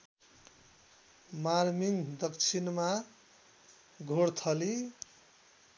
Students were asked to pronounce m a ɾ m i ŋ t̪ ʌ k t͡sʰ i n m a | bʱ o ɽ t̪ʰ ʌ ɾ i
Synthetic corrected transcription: m a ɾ m i ŋ d̪ ʌ k t͡sʰ i n m a | ɡʱ o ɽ t̪ʰ ʌ l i